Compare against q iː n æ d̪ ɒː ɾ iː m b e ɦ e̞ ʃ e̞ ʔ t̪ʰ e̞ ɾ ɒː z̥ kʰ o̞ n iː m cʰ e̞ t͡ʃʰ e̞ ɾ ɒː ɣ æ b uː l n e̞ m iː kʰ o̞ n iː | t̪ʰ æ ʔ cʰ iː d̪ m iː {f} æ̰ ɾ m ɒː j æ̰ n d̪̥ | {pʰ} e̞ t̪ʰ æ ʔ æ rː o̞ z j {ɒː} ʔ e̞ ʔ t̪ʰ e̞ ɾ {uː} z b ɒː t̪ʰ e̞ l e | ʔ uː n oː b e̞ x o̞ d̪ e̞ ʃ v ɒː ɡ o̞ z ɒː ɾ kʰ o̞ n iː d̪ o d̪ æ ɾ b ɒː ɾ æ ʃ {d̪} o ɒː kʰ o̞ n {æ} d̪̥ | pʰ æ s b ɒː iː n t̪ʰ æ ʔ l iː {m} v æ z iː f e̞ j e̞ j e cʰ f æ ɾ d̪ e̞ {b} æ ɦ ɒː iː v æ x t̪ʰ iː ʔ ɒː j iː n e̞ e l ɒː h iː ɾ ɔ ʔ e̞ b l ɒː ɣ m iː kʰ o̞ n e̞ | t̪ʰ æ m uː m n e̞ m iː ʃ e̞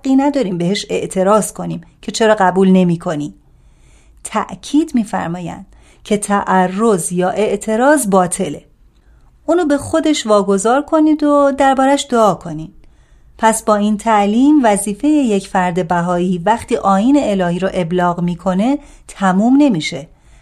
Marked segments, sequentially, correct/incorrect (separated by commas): correct, incorrect, correct, incorrect, correct, incorrect, correct, correct